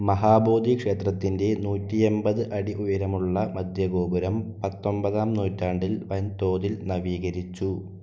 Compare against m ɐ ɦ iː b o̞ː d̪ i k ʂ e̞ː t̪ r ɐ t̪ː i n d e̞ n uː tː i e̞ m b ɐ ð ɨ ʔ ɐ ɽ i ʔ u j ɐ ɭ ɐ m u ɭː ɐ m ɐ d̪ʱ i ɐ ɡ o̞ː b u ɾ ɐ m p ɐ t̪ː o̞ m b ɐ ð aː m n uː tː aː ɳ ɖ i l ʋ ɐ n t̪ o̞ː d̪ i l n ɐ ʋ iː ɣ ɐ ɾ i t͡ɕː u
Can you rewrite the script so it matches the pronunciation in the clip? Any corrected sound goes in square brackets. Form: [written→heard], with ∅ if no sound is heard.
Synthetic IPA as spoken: m ɐ ɦ [iː→aː] b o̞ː d̪ i k ʂ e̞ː t̪ r ɐ t̪ː i n d e̞ n uː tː i e̞ m b ɐ ð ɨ ʔ ɐ ɽ i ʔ u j ɐ [ɭ→ɾ] ɐ m u ɭː ɐ m ɐ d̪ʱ [i→j] ɐ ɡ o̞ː b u ɾ ɐ m p ɐ t̪ː o̞ m b ɐ ð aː m n uː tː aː ɳ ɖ i l ʋ ɐ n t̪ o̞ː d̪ i l n ɐ ʋ iː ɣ ɐ ɾ i t͡ɕː u